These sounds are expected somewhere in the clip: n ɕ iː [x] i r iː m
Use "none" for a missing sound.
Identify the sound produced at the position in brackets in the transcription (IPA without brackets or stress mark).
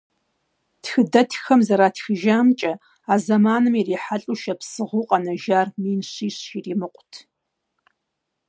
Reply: ɕ